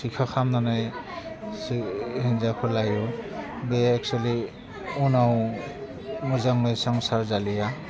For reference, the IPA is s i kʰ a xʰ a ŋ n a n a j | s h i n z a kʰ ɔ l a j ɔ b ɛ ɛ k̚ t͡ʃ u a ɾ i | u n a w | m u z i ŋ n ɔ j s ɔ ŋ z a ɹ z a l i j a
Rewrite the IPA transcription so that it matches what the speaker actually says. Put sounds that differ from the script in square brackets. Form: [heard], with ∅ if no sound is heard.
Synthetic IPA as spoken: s i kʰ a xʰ a [m] n a n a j | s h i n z a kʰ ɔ l a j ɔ b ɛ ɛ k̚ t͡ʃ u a [l] i | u n a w | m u z [a] ŋ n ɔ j s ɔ ŋ [s] a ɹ z a l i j a